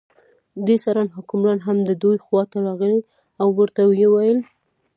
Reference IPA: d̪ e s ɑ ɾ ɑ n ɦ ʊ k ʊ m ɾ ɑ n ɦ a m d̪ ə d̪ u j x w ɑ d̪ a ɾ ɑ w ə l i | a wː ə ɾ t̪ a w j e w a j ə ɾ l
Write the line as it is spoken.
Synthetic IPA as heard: d̪ e s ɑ ɾ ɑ n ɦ ʊ k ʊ m ɾ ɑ n ɦ a m d̪ ə d̪ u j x w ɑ t̪ a ɾ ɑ ɣ ə l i | a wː ə ɾ t̪ a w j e w a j ə l